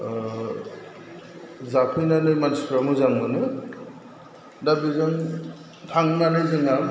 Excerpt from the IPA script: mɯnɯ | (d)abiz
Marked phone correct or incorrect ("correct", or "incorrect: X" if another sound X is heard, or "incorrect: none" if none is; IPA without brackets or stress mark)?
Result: correct